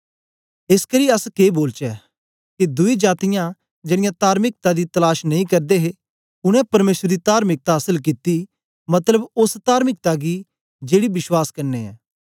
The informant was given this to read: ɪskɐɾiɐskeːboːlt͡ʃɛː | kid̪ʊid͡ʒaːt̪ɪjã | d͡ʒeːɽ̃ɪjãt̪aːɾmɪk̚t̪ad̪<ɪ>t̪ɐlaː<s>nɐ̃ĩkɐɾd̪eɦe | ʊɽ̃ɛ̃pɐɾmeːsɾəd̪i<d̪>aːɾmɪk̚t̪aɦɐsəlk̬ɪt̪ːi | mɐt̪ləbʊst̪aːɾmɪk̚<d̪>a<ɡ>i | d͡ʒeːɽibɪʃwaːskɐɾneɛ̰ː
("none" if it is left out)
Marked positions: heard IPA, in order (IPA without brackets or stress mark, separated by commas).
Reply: i, ʃ, t̪, t̪, ɡ